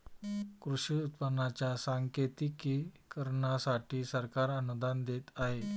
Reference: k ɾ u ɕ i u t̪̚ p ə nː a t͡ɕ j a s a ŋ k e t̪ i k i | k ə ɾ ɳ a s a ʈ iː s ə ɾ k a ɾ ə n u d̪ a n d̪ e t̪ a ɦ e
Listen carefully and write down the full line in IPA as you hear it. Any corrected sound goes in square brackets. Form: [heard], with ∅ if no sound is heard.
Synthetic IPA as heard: k ɾ u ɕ i u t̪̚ p ə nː a t͡ɕ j a s a ŋ k e t̪ i k i | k ə ɾ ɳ a s a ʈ iː s ə ɾ k a ɾ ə n u d̪ a n d̪ e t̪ a ɦ e